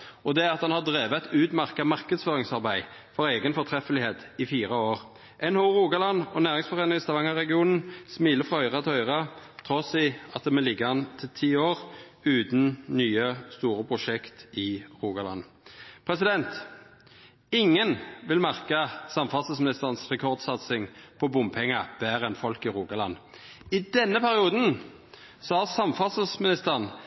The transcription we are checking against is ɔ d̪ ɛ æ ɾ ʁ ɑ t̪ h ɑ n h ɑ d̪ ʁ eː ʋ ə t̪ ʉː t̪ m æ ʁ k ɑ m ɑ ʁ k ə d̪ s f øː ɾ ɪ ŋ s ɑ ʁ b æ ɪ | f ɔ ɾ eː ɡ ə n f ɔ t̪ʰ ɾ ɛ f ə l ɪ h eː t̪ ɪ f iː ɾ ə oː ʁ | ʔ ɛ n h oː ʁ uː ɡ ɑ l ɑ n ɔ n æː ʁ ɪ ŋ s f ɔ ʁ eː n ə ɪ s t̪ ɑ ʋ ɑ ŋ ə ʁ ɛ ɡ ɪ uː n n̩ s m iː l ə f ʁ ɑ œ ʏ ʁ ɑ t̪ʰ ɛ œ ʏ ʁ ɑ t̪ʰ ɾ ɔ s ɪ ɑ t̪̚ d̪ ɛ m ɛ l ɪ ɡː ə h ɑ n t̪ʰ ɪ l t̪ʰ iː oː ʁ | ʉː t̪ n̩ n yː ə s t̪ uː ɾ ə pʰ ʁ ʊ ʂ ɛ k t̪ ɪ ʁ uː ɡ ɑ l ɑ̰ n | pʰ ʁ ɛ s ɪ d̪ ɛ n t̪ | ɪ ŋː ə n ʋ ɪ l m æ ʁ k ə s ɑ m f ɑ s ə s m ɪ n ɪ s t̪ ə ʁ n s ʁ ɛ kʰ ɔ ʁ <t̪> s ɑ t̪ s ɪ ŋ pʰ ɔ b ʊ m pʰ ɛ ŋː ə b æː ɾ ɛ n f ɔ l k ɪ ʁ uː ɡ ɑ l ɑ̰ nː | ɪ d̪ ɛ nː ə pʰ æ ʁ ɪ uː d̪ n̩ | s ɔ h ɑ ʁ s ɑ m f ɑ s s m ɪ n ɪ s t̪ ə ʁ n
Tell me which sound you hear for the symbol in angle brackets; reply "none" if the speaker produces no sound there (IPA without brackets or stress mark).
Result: d̪